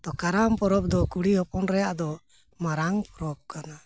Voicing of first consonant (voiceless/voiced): voiceless